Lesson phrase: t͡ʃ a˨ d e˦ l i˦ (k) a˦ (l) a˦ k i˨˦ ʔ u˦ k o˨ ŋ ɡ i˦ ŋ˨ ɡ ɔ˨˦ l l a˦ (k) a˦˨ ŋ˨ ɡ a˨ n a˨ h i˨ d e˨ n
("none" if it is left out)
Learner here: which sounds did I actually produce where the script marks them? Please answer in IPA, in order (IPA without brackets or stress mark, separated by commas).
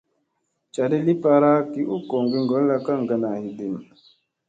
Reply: p, ɾ, k